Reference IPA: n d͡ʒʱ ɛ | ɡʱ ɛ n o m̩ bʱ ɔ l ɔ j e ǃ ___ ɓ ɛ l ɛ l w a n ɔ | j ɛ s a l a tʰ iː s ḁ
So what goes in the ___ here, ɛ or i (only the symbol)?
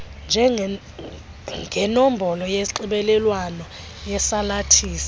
i